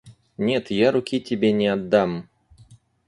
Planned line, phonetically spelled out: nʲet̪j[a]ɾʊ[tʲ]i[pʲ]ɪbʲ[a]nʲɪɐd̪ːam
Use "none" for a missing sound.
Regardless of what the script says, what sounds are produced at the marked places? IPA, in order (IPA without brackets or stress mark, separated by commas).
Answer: a, kʲ, tʲ, e